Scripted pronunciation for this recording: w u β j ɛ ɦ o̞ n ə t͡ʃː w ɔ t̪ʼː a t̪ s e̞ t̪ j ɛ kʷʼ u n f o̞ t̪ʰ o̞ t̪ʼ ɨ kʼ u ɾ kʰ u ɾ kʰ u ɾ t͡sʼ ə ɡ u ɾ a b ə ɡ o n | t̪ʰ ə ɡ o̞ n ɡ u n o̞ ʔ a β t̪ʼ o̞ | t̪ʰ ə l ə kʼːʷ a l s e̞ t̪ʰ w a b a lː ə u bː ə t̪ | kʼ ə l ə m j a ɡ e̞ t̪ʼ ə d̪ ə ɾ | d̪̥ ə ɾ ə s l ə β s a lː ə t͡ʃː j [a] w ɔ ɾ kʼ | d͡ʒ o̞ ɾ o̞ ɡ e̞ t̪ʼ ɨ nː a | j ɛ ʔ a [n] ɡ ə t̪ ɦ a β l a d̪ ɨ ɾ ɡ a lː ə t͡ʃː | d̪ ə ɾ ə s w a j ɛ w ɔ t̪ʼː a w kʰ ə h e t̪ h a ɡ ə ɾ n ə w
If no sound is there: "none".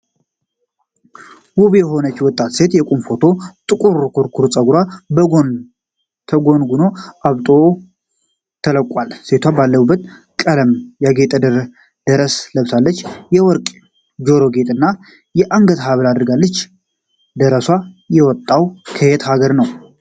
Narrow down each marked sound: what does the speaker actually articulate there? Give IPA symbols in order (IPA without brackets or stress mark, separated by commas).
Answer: ɛ, ŋ